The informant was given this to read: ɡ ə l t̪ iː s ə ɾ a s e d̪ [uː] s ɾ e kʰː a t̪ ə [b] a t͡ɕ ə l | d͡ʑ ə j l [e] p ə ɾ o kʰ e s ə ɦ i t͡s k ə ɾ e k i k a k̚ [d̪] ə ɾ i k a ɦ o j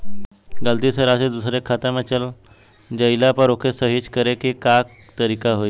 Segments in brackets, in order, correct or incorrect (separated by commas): incorrect, incorrect, incorrect, incorrect